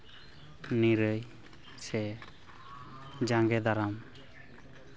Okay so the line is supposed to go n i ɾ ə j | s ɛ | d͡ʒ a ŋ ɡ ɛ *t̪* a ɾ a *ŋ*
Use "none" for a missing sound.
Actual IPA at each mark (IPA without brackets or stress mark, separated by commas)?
d̪, m